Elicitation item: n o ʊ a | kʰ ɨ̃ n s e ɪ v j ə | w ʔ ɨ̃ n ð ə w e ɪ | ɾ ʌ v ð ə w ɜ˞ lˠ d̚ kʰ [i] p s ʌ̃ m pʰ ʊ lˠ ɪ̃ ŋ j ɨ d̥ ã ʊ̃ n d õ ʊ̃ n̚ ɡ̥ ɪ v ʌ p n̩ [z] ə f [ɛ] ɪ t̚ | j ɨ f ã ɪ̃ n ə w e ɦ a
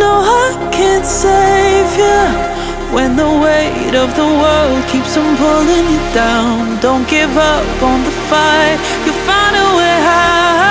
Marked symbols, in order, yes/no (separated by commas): yes, no, no